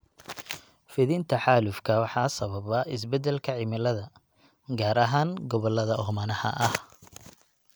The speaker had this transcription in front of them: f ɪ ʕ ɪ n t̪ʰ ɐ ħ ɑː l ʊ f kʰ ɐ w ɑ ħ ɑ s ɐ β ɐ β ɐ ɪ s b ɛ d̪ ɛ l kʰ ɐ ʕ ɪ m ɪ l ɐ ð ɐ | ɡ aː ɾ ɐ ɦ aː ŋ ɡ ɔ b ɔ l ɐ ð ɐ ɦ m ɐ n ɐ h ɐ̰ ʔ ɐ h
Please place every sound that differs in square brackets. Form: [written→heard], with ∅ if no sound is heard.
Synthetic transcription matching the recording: f ɪ [ʕ→ð] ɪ n t̪ʰ ɐ ħ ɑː l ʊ f kʰ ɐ w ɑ ħ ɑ s ɐ β ɐ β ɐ ɪ s b ɛ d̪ ɛ l kʰ ɐ ʕ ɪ m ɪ l ɐ ð ɐ | ɡ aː ɾ ɐ ɦ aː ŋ ɡ ɔ [b→β] ɔ l ɐ ð ɐ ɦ m ɐ n ɐ h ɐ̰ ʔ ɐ h